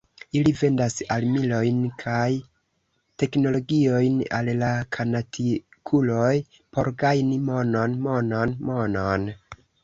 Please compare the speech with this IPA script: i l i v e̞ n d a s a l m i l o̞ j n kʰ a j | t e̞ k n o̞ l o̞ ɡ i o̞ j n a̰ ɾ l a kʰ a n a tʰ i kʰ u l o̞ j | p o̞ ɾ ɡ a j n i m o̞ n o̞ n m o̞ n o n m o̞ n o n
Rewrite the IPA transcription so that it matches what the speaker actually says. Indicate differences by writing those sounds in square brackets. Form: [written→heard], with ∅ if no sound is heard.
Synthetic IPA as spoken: i l i v e̞ n d a s a l m i l o̞ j n kʰ a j | t e̞ k n o̞ l o̞ ɡ i o̞ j n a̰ [ɾ→l] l a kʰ a n a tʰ i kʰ u l o̞ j | p o̞ ɾ ɡ a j n i m o̞ n o̞ n m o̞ n o n m o̞ n o n